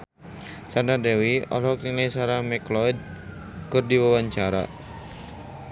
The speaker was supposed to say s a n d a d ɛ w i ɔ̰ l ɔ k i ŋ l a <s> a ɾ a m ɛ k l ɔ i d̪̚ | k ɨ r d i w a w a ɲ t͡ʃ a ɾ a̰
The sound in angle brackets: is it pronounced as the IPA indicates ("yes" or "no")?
yes